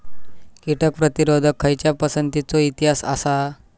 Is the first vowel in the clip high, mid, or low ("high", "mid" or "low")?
high